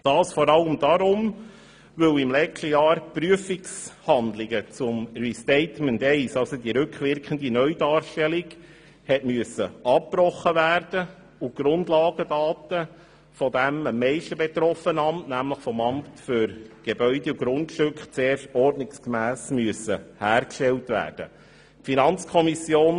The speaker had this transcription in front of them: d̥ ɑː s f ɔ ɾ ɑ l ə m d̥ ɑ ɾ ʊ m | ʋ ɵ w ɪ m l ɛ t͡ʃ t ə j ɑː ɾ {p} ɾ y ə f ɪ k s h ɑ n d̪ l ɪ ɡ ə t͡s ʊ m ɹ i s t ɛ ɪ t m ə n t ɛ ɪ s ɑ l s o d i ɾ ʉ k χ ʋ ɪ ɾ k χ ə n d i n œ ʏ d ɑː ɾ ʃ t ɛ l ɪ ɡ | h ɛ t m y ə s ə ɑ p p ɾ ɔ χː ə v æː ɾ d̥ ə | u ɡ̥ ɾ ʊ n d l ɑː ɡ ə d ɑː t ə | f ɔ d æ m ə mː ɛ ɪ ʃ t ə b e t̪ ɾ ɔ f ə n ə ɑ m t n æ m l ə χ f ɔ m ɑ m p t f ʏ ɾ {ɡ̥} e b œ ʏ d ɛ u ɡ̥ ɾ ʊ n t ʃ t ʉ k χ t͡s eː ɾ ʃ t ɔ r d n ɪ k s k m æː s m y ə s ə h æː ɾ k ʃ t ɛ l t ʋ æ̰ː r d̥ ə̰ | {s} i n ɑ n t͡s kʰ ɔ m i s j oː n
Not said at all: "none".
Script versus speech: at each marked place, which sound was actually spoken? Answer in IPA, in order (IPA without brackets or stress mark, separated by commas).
p, ɡ̥, f